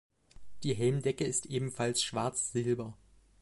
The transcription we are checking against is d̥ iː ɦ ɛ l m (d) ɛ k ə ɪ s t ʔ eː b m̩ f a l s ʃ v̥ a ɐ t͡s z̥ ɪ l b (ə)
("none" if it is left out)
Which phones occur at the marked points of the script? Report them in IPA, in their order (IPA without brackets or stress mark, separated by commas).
d, ɐ